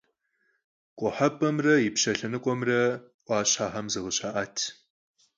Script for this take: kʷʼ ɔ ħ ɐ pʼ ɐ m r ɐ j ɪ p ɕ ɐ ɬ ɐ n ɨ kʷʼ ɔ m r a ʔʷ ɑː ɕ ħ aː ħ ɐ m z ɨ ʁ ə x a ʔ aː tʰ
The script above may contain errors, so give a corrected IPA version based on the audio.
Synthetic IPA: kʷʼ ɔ ħ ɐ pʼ ɐ m r ɐ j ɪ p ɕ ɐ ɬ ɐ n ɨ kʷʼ ɔ m r ɐ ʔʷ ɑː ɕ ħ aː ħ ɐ m z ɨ ʁ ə ɕ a ʔ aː tʰ